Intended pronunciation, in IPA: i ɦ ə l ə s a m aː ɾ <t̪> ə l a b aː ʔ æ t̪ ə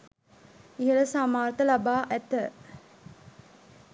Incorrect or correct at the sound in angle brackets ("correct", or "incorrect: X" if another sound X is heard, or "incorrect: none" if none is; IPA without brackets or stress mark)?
correct